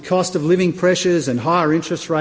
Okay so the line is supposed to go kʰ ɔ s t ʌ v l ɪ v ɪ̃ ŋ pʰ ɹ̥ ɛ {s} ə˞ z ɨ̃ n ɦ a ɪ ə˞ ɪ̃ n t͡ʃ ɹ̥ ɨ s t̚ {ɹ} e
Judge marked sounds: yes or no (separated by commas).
no, yes